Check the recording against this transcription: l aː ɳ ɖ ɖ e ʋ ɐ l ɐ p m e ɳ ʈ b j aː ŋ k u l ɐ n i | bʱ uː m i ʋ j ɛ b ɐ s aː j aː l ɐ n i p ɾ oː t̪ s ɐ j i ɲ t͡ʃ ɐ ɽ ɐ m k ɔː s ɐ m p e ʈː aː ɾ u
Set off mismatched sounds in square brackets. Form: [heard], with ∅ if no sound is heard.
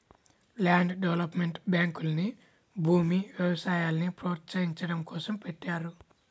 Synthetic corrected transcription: l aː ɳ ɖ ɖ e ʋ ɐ l ɐ p m e ɳ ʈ b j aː ŋ k u l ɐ n i | bʱ uː m i ʋ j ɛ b ɐ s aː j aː l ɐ n i p ɾ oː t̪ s ɐ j i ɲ t͡ʃ ɐ ɽ ɐ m k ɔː s ɐ m p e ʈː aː ɾ u